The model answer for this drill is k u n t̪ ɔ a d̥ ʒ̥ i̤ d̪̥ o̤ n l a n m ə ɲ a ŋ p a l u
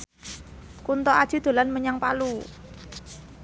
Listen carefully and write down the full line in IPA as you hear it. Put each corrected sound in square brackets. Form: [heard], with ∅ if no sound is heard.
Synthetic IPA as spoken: k u n t̪ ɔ a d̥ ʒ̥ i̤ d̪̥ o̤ [∅] l a n m ə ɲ a ŋ p a l u